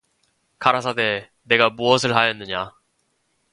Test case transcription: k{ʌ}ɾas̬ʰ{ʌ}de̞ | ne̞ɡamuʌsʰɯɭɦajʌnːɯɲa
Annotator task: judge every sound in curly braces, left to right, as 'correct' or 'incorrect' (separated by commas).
incorrect, incorrect